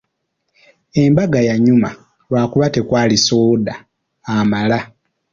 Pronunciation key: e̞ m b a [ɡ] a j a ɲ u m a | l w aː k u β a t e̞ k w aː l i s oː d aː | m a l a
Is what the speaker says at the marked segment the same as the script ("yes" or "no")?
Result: yes